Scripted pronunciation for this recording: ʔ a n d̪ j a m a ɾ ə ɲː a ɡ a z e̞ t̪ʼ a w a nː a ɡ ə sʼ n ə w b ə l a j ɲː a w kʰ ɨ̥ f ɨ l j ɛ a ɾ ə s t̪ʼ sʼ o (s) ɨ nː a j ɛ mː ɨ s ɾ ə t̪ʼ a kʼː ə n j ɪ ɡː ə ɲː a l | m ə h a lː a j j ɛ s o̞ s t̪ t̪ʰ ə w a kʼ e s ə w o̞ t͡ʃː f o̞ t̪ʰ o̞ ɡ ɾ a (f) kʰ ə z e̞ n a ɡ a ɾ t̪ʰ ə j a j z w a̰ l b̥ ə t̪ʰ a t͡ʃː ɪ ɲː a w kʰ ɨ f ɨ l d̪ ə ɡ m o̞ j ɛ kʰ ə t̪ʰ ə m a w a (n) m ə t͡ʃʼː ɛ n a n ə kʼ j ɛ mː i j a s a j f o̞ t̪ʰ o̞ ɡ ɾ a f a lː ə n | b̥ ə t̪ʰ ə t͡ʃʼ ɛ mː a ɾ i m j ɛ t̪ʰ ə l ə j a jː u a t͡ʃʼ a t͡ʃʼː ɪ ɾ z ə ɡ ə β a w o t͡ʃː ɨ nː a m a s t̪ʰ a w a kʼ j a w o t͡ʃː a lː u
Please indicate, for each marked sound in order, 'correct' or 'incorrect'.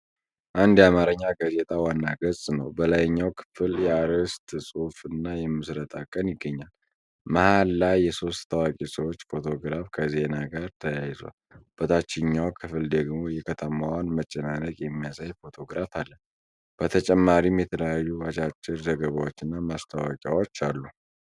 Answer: incorrect, correct, correct

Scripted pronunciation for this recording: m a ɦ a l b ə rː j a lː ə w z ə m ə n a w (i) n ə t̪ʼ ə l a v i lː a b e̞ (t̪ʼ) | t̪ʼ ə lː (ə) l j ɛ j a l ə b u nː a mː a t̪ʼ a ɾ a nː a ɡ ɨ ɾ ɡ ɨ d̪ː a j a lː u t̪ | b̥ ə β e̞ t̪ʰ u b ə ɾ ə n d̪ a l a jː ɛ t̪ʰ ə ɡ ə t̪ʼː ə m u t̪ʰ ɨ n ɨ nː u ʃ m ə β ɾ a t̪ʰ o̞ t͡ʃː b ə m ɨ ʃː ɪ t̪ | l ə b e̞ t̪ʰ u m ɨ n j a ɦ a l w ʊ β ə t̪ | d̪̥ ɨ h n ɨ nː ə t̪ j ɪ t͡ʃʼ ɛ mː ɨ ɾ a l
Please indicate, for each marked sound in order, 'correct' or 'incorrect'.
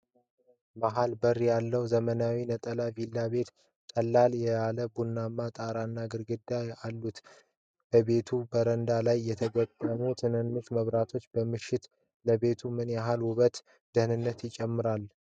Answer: correct, incorrect, incorrect

